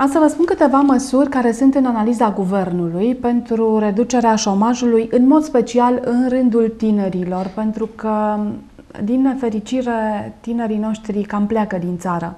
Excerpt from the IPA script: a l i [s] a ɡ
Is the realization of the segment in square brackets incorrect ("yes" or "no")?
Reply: yes